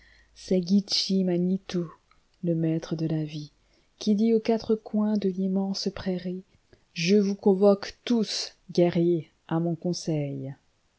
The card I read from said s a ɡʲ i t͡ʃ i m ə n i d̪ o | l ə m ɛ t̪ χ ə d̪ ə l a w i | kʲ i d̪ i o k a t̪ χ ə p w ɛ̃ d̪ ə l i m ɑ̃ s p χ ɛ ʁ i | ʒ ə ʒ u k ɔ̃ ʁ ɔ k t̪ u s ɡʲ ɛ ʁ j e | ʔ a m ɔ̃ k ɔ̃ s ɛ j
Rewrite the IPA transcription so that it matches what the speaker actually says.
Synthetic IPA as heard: s ɛ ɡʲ i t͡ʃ i m a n i t̪ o | l ə m ɛ t̪ χ ə d̪ ə l a v i | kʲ i d̪ i o k a t̪ χ ə k w ɛ̃ d̪ ə l i m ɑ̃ s p χ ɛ ʁ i | ʒ ə v u k ɔ̃ v ɔ k t̪ u s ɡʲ ɛ ʁ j e | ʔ a m ɔ̃ k ɔ̃ s ɛ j